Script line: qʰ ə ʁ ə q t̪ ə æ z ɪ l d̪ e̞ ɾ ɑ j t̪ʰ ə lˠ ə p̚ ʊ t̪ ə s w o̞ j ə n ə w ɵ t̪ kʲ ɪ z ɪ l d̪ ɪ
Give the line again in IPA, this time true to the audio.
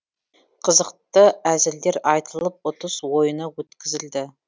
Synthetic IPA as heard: qʰ ə z ə q t̪ ə æ z ɪ l d̪ e̞ ɾ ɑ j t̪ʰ ə lˠ ə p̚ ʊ t̪ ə s w o̞ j ə n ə w ɵ t̪ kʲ ɪ z ɪ l d̪ ɪ

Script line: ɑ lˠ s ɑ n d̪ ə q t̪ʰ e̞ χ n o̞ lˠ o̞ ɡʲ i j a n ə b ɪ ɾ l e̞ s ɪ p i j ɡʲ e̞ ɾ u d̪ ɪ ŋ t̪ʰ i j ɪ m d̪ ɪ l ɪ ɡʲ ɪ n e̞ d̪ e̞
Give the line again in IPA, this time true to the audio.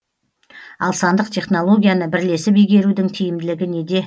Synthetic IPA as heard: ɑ lˠ s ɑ n d̪ ə q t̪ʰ e̞ χ n o̞ lˠ o̞ ɡʲ i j a n ə b ɪ ɾ l e̞ s ɪ p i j ɡʲ e̞ ɾ u d̪ ɪ ŋ t̪ʰ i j ɪ m d̪ ɪ l ɪ ɡʲ ɪ n e̞ d̪ e̞

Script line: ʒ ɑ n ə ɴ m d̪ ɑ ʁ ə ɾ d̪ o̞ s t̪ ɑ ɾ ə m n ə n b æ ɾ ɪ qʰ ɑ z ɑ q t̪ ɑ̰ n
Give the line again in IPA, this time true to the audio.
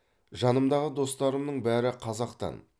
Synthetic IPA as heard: ʒ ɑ n ə m d̪ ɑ ʁ ə d̪ o̞ s t̪ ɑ ɾ ə m n ə ɴ b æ ɾ ɪ qʰ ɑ z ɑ q t̪ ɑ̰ n

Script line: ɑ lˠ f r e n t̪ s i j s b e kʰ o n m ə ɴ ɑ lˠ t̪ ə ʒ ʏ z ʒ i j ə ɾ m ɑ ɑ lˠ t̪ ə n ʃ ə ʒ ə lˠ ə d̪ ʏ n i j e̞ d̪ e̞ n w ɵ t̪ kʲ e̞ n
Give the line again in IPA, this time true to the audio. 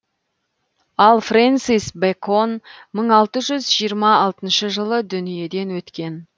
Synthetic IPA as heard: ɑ lˠ f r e n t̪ s i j s b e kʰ o n m ə ɴ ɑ lˠ t̪ ə ʒ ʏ z ʒ i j ə ɾ m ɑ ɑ lˠ t̪ ə n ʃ ə ʒ ə lˠ ə d̪ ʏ n i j e̞ d̪ e̞ n w ɵ t̪ kʲ e̞ n

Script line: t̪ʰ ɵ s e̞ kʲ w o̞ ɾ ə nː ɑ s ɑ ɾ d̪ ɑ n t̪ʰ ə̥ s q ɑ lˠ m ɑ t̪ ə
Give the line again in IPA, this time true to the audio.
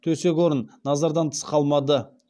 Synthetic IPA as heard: t̪ʰ ɵ s e̞ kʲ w o̞ ɾ ə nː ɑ z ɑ ɾ d̪ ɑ n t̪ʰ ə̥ s q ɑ lˠ m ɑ d̪ ə

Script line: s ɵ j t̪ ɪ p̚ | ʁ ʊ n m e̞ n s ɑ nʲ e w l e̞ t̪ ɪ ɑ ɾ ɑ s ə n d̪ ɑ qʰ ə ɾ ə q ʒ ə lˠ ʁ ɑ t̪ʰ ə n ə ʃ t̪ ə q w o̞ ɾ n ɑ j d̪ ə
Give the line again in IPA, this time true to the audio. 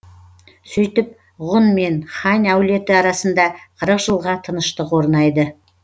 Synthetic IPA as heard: s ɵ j t̪ ɪ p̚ | ʁ ʊ n m e̞ n χ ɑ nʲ æ w l e̞ t̪ ɪ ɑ ɾ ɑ s ə n d̪ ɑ qʰ ə ɾ ə q ʒ ə lˠ ʁ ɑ t̪ʰ ə n ə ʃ t̪ ə q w o̞ ɾ n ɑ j d̪ ə

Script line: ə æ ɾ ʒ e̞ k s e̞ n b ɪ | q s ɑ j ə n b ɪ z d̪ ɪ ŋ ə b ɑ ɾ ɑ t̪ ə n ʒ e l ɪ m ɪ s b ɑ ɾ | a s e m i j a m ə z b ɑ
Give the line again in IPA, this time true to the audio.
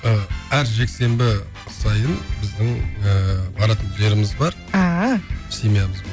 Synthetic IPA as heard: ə æ ɾ ʒ e̞ k s e̞ m b ɪ | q s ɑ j ə n b ɪ z d̪ ɪ ŋ ə b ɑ ɾ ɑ t̪ ə n ʒ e ɾ ɪ m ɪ z b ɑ ɾ | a s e m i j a m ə z b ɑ

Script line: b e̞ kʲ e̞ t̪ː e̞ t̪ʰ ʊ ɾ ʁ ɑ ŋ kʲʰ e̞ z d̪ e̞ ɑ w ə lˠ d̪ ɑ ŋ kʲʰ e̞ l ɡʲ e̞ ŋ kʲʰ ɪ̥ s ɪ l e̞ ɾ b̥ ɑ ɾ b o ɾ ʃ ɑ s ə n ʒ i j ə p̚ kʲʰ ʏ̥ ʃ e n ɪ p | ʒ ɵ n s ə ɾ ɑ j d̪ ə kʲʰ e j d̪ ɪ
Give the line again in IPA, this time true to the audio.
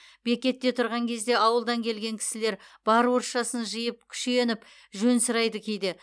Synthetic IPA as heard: b e̞ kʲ e̞ t̪ː e̞ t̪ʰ ʊ ɾ ʁ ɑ ŋ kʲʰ e̞ z d̪ e̞ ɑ w ə lˠ d̪ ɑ ŋ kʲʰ e̞ l ɡʲ e̞ ŋ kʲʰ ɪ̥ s ɪ l e̞ ɾ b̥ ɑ ɾ w o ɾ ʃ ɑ s ə n ʒ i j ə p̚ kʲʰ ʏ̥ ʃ e n ɪ p | ʒ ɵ n s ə ɾ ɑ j d̪ ə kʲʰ e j d̪ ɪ

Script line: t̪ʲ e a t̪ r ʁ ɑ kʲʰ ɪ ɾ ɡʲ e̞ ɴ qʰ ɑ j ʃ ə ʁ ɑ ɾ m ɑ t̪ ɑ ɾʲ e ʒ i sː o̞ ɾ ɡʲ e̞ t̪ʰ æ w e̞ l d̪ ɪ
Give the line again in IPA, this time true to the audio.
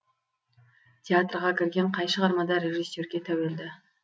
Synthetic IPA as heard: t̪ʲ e a t̪ r ʁ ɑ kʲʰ ɪ ɾ ɡʲ e̞ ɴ qʰ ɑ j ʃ ə ʁ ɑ ɾ m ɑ d̪ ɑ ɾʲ e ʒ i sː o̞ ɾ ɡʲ e̞ t̪ʰ æ w e̞ l d̪ ɪ

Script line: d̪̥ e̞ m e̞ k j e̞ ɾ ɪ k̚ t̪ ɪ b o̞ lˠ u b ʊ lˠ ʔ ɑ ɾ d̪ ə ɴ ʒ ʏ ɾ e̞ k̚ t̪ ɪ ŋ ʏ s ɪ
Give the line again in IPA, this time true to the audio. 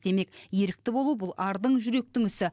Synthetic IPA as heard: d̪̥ e̞ m e̞ k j e̞ ɾ ɪ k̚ t̪ ɪ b o̞ lˠ u b ʊ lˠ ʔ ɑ ɾ d̪ ə ɴ ʒ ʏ ɾ e̞ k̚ t̪ ɪ ŋ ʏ s ɪ

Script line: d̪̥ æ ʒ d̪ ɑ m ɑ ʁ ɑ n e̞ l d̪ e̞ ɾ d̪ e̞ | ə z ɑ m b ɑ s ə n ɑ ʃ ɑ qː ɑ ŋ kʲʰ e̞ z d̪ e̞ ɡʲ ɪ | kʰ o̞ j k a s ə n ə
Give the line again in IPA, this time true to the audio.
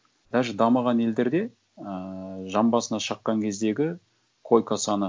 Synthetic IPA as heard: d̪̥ æ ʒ d̪ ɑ m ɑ ʁ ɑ n e̞ l d̪ e̞ ɾ d̪ e̞ | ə ʒ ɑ m b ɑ s ə n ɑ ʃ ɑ qː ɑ ŋ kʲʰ e̞ z d̪ e̞ ɡʲ ɪ | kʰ o̞ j k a s ɑ n ə

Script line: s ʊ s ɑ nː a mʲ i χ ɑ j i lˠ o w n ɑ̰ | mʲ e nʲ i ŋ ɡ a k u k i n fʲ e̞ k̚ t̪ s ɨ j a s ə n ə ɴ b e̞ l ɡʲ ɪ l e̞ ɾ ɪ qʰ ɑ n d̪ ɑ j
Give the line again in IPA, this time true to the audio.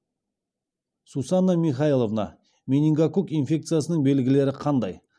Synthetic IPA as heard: s u s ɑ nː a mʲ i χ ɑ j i lˠ o v n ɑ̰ | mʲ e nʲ i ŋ ɡ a k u k i n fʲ e̞ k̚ t̪ s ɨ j a s ə n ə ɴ b e̞ l ɡʲ ɪ l e̞ ɾ ɪ qʰ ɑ n d̪ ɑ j

